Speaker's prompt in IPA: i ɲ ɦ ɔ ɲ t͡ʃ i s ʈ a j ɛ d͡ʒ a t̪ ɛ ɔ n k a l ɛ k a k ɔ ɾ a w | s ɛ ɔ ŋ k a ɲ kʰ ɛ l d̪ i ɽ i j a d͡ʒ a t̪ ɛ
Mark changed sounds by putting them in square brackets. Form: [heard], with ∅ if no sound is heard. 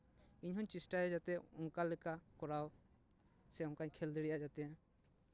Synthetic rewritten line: i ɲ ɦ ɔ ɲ t͡ʃ i s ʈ a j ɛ d͡ʒ a t̪ ɛ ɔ [ŋ] k a l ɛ k a k ɔ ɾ a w | s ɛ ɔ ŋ k a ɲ kʰ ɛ l d̪ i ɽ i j a d͡ʒ a t̪ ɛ